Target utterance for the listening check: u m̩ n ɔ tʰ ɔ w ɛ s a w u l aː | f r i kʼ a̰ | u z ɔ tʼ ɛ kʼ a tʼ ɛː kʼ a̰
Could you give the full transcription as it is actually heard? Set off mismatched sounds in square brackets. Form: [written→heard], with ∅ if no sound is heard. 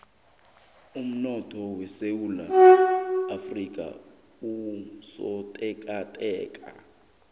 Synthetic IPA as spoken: u m̩ n ɔ tʰ ɔ w ɛ s [a→e] w u l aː | f r i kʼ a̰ | u [z→s] ɔ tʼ ɛ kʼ a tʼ ɛː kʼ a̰